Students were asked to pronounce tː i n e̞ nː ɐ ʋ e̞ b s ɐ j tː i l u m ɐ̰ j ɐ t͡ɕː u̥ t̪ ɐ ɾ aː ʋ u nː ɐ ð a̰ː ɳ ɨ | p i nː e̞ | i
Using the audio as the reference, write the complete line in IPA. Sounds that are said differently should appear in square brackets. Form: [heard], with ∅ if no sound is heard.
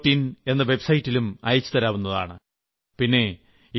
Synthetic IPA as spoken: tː i n e̞ nː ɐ ʋ e̞ b s ɐ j tː i l u m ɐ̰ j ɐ t͡ɕː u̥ t̪ ɐ ɾ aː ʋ u nː ɐ ð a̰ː ɳ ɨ | p i nː e̞ | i